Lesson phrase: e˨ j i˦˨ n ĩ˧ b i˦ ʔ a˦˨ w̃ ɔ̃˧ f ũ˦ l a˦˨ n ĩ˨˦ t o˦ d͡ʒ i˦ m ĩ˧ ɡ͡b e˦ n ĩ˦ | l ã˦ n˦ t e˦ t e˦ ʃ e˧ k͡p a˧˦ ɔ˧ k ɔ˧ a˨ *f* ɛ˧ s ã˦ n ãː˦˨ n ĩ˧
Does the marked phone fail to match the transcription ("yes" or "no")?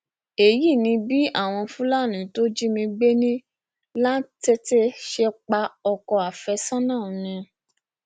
no